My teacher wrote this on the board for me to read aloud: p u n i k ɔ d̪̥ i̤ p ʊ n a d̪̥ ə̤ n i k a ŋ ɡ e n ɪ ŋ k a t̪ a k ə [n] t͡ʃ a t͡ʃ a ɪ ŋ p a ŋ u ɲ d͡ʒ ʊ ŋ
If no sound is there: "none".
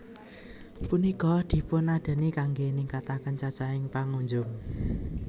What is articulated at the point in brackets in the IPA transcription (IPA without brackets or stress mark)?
n